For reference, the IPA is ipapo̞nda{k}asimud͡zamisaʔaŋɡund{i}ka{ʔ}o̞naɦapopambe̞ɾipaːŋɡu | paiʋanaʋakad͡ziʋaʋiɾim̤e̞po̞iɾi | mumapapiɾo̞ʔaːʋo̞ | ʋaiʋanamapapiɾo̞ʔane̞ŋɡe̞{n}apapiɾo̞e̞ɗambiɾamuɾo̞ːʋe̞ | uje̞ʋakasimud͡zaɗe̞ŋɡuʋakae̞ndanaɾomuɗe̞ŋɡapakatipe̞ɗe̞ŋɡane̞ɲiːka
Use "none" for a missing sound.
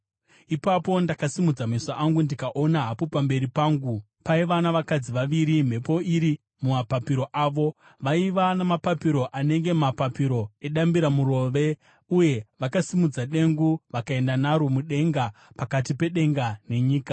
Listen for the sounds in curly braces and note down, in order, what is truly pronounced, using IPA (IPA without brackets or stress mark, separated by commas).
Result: k, i, ʔ, m